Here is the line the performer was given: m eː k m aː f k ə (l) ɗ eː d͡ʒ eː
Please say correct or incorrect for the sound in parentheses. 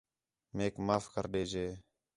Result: incorrect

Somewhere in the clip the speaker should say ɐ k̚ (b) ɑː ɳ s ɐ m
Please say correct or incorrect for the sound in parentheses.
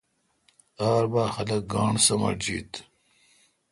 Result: incorrect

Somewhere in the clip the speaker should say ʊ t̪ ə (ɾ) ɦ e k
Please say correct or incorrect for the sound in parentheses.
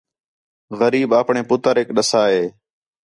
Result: correct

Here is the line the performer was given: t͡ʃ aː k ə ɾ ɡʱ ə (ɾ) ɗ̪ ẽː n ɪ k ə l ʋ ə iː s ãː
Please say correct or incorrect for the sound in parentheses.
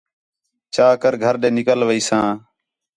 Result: correct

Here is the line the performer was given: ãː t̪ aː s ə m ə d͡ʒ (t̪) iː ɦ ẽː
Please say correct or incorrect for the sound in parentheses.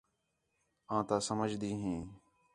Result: incorrect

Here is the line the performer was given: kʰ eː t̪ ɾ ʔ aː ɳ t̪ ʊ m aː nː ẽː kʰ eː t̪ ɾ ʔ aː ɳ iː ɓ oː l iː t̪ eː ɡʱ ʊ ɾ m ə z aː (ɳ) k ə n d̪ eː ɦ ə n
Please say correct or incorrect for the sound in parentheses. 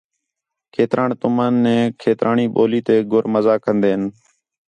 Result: incorrect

